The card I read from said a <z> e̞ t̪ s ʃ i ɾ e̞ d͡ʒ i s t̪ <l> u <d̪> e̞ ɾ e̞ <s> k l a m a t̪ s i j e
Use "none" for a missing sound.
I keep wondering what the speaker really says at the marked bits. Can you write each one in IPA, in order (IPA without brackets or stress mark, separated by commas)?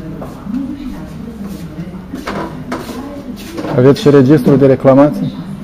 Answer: v, ɾ, d̪, none